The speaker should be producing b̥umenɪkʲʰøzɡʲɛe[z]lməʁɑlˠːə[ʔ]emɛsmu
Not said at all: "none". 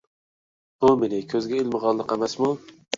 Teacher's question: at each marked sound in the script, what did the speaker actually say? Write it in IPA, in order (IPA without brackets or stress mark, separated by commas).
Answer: none, q